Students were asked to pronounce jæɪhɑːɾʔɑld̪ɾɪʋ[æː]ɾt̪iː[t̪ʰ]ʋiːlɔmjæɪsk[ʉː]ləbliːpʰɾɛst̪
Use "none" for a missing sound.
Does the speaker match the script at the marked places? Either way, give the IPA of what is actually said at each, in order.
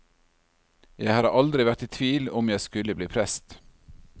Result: æ, t̪ʰ, ʉ

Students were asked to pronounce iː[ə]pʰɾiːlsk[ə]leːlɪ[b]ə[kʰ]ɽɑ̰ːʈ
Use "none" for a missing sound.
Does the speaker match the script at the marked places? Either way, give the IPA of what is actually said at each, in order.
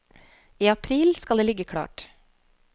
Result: ɑ, ɑ, ɡ, kʰ

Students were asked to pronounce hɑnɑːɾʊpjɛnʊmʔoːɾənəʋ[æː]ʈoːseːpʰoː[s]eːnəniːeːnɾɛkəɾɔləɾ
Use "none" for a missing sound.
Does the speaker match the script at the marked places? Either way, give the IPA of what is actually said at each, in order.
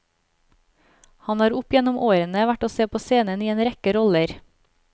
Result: æ, s

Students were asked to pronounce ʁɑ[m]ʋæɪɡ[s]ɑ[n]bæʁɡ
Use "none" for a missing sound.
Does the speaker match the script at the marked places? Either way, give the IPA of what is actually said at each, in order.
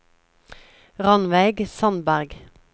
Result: n, s, n

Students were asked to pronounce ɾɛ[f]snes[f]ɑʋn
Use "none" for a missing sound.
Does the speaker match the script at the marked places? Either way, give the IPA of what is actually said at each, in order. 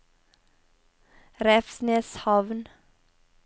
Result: f, h

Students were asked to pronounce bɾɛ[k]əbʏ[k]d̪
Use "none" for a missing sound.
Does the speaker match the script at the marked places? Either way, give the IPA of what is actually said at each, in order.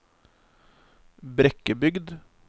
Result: k, ɡ

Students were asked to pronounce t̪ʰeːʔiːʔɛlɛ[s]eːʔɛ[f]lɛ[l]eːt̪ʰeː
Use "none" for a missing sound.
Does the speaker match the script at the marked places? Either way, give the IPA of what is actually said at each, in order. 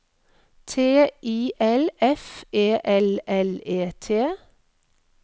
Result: f, none, l

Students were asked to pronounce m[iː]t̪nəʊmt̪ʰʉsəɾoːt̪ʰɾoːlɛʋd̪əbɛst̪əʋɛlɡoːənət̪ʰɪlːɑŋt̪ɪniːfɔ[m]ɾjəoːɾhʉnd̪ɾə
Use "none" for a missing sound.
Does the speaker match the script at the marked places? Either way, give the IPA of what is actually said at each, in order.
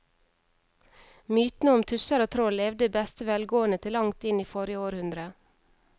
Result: yː, none

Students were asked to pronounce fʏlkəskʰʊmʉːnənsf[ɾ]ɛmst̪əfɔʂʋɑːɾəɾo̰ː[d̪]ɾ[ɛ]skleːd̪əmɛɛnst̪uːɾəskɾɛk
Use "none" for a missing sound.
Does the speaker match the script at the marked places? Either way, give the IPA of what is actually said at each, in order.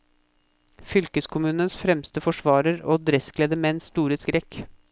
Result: ɾ, d̪, ɛ

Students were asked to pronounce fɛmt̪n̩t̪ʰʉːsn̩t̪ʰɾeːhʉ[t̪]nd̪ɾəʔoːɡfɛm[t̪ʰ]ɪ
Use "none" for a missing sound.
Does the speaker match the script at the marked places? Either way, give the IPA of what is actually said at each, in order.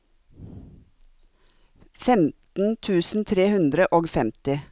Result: none, t̪

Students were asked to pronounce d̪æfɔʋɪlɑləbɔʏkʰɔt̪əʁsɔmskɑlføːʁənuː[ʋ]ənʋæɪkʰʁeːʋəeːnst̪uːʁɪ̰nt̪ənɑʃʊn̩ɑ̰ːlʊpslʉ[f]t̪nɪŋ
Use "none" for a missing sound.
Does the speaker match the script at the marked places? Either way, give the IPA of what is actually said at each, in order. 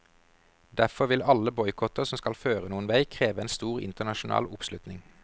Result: none, none

